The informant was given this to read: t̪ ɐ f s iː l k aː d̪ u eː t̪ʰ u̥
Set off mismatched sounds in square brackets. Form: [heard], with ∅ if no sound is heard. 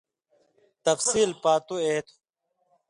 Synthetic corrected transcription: t̪ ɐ f s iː l [p] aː [t̪] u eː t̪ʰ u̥